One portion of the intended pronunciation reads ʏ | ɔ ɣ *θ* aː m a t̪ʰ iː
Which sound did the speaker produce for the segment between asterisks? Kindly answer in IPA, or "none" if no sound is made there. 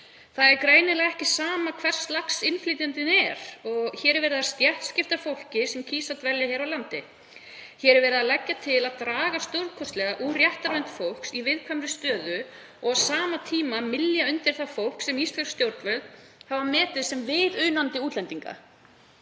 s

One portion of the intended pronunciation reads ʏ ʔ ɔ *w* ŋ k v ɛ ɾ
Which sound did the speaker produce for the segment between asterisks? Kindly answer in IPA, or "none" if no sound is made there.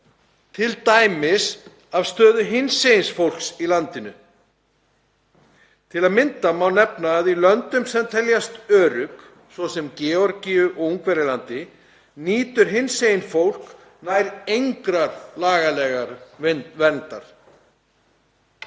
u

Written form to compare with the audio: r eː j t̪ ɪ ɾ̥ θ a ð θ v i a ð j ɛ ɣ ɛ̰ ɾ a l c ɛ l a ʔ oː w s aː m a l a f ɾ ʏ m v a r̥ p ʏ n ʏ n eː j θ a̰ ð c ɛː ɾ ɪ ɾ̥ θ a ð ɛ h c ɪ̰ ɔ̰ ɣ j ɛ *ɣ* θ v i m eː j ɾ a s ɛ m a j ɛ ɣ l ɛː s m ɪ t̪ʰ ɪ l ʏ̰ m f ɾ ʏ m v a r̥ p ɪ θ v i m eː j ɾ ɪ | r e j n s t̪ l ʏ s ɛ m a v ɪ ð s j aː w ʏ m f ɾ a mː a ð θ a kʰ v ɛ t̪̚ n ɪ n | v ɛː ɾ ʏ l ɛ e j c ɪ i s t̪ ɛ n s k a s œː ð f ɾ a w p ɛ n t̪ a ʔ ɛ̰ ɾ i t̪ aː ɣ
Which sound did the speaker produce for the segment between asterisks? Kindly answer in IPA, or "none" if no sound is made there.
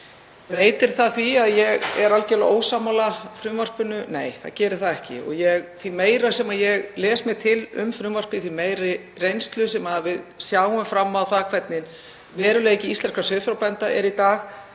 ɣ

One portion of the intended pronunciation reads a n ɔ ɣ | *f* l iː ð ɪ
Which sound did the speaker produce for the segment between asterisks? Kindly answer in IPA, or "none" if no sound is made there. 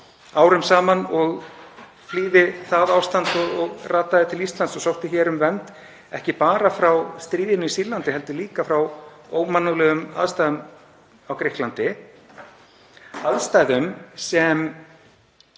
f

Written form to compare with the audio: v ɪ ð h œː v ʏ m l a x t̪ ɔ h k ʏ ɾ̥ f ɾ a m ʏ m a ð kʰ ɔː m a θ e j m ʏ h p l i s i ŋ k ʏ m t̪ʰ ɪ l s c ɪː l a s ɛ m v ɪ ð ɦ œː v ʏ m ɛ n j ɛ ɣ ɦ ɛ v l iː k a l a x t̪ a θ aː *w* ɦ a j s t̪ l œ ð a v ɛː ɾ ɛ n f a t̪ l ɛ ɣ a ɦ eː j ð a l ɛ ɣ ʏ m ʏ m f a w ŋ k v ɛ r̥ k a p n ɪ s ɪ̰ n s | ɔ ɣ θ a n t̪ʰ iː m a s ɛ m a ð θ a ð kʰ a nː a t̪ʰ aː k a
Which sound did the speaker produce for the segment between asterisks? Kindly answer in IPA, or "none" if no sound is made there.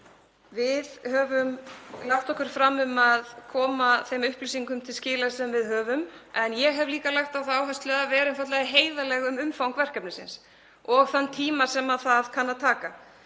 w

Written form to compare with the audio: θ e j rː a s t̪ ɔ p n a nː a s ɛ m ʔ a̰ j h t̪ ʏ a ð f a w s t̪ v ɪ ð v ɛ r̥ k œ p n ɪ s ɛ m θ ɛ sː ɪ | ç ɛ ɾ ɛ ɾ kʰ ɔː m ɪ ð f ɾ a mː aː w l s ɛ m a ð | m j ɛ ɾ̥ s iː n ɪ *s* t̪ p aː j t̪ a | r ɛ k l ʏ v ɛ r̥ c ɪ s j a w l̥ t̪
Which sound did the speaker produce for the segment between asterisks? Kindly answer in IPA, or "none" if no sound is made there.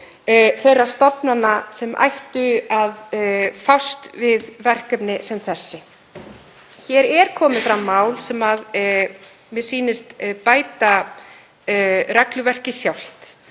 s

